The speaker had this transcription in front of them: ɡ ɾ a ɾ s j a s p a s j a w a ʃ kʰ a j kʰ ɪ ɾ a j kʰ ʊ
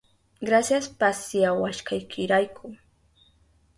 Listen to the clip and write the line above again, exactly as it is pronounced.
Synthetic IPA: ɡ ɾ a s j a s p a s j a w a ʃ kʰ a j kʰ ɪ ɾ a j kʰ ʊ